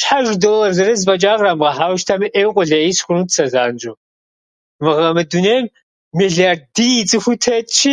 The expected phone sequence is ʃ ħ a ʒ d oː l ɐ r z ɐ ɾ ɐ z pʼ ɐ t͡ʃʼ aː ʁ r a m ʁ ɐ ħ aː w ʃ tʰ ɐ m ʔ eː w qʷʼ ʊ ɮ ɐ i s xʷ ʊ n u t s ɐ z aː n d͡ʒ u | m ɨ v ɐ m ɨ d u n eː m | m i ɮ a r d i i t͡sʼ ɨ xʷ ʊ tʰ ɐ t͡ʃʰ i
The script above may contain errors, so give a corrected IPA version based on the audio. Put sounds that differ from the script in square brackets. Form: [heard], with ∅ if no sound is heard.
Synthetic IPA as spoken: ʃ ħ a ʒ d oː l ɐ r z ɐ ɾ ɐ z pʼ ɐ t͡ʃʼ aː ʁ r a m ʁ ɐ ħ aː w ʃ tʰ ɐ m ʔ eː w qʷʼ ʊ ɮ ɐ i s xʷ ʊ n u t s ɐ z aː n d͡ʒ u | m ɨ [ʁ] ɐ m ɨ d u n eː m | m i ɮ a r d i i t͡sʼ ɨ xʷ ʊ tʰ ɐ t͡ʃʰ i